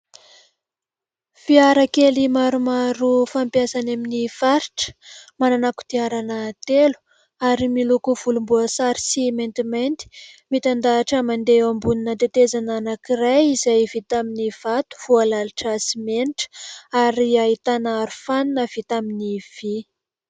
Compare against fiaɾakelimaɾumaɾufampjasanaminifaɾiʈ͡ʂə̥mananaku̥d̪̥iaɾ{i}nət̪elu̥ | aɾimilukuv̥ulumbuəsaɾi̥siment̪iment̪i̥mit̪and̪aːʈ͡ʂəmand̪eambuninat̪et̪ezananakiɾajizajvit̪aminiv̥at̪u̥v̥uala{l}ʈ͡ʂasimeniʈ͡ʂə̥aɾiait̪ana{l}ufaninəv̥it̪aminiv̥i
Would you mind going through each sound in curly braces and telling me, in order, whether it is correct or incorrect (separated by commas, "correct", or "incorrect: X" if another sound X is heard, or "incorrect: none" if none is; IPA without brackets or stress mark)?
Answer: incorrect: a, correct, incorrect: ɾ